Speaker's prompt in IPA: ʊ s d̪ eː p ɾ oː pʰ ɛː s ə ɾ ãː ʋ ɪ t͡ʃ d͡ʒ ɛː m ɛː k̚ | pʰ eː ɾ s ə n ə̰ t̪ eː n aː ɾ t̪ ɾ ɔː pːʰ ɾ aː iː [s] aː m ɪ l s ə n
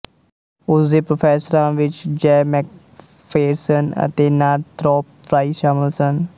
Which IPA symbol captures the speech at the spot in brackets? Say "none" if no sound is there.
ʃ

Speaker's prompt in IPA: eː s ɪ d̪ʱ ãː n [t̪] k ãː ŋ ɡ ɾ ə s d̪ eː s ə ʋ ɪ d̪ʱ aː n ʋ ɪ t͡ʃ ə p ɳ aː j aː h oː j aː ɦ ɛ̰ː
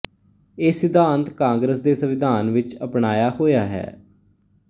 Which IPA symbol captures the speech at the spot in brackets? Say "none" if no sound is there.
t̪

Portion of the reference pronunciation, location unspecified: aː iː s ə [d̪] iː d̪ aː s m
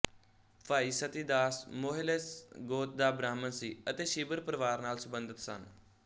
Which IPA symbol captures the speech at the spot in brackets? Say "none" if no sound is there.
t̪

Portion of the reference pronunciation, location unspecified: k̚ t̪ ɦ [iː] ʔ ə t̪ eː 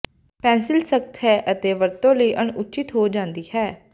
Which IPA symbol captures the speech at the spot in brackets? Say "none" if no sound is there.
ɛː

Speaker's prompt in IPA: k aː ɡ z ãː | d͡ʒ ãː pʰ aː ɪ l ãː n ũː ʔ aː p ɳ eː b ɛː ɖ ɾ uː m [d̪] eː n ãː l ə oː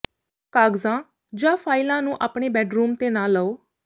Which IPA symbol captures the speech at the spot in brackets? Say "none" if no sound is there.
t̪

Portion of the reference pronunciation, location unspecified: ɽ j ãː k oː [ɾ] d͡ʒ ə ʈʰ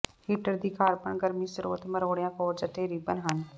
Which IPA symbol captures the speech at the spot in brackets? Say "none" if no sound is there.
ɾ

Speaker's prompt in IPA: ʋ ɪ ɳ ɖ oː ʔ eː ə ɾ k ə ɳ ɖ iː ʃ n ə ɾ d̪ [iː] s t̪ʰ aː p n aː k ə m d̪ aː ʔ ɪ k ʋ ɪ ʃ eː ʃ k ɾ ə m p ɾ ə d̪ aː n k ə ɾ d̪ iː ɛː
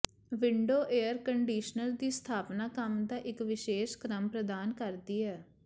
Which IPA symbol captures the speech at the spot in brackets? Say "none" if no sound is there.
iː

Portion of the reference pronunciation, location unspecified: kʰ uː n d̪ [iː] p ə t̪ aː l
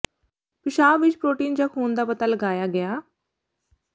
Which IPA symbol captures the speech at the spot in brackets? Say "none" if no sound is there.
aː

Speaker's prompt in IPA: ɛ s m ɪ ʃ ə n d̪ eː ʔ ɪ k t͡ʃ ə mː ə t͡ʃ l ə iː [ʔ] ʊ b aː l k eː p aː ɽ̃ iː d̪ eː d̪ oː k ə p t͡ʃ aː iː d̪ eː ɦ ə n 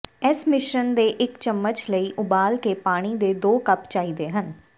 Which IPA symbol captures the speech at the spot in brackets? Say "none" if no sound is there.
ʔ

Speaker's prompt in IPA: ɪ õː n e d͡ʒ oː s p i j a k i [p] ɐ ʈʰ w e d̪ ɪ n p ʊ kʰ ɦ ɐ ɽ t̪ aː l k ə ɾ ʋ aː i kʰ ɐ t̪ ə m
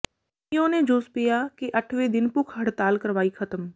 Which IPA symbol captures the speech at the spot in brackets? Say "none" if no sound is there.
ʔ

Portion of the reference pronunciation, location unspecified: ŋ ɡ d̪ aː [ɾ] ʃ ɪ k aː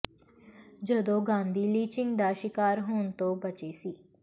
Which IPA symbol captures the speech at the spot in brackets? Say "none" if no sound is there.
none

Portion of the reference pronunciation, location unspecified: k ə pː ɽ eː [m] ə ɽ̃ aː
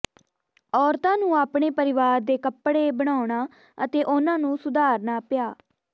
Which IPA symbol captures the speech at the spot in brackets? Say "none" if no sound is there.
b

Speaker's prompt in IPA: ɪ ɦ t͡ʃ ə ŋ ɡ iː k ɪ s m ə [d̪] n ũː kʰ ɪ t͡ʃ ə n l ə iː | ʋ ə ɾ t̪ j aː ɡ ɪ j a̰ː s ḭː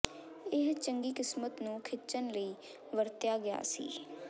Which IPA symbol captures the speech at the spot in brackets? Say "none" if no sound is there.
t̪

